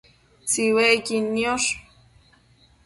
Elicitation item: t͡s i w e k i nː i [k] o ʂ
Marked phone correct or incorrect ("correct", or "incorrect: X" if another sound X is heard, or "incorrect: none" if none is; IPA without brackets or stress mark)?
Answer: incorrect: none